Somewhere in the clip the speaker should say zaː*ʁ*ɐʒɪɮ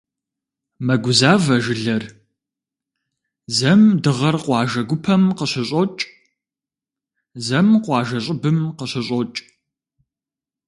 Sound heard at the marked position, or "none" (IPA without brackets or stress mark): v